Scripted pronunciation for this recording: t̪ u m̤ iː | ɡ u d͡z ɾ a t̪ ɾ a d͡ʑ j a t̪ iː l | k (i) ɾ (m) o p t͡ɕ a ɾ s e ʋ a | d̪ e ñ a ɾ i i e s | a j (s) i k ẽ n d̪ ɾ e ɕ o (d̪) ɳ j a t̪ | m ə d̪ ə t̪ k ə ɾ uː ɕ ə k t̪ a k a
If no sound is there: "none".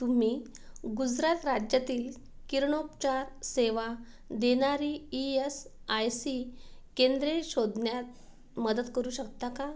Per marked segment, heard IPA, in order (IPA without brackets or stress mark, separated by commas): i, ɳ, s, d̪